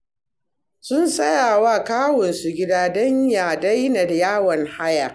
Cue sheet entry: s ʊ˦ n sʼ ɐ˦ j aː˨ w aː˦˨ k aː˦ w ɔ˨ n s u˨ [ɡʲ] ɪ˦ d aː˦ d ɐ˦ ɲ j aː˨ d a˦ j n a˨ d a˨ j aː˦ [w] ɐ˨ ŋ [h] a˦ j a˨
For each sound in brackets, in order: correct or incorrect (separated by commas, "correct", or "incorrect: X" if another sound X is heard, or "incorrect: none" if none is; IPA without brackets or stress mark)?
correct, correct, correct